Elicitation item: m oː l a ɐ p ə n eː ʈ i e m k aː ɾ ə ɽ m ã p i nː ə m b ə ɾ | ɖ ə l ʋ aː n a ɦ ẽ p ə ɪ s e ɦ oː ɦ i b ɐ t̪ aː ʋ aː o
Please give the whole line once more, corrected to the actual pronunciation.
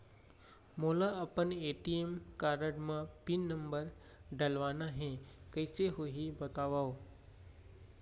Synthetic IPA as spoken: m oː l a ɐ p ə n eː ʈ i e m k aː ɾ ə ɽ m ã p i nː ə m b ə ɾ | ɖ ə l ʋ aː n a ɦ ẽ k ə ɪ s e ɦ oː ɦ i b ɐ t̪ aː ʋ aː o